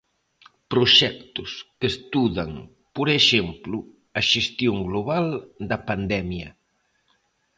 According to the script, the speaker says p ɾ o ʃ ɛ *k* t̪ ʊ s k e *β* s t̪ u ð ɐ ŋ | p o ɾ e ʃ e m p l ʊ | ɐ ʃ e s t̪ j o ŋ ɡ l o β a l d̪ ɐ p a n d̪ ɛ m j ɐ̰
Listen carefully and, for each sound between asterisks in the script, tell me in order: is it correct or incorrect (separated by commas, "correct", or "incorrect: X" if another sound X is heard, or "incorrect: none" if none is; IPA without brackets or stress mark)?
correct, incorrect: none